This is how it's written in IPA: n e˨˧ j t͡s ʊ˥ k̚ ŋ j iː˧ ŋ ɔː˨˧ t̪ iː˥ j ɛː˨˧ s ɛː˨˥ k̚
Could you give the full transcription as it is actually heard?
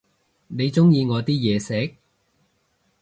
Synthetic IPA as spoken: n e˨˧ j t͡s ʊ˥ ŋ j iː˧ ŋ ɔː˨˧ t̪ iː˥ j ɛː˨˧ s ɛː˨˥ k̚